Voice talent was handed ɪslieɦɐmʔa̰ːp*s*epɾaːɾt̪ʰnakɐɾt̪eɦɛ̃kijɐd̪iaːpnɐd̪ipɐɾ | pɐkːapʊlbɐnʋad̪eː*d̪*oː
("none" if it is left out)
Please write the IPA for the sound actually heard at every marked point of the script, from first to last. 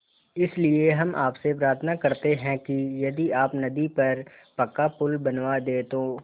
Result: s, t̪

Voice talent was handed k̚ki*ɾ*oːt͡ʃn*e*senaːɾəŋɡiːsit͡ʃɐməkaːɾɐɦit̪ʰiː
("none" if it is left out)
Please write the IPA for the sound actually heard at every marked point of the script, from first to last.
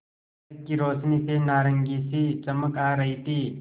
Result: ɾ, i

